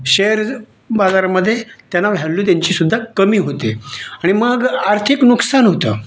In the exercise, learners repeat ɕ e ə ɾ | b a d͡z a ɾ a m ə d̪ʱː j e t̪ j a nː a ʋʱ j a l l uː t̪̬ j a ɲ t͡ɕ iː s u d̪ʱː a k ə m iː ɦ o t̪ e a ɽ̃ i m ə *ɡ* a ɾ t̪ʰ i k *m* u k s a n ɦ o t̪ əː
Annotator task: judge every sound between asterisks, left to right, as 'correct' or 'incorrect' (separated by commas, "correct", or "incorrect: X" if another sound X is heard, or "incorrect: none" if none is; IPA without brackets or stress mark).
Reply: correct, incorrect: n